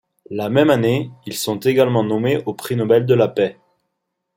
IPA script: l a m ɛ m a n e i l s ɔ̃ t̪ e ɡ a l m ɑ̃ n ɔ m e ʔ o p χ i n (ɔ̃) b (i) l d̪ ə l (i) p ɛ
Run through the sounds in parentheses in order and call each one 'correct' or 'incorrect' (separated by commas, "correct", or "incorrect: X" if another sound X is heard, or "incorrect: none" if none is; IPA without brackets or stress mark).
incorrect: ɔ, incorrect: ɛ, incorrect: a